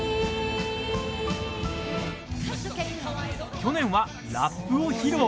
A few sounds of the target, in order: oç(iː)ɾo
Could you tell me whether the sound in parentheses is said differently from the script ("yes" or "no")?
yes